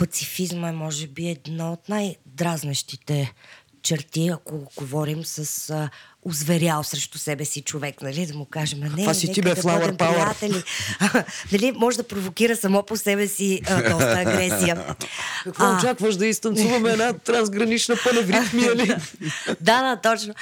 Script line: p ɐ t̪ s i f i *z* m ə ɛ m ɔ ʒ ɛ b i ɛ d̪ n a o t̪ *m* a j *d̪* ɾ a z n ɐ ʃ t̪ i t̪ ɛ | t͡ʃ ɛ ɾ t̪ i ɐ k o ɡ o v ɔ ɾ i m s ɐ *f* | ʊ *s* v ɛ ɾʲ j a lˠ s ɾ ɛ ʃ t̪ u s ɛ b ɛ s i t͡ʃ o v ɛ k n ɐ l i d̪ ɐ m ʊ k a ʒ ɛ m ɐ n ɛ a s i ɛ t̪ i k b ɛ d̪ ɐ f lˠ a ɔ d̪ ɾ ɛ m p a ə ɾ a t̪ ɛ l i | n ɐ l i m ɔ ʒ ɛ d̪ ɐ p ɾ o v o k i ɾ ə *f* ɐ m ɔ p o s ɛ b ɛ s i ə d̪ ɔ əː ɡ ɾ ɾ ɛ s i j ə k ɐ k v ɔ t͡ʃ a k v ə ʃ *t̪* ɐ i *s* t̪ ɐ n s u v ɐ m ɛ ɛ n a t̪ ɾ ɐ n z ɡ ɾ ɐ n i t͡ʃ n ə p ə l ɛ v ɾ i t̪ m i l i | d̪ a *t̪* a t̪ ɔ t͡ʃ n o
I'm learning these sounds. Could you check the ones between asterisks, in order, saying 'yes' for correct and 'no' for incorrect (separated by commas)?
yes, no, yes, no, no, no, no, yes, no